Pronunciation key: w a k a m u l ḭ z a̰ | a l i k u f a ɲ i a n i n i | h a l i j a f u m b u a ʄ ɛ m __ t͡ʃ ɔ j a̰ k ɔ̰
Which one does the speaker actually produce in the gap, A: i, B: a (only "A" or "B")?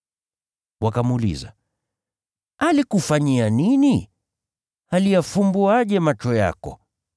B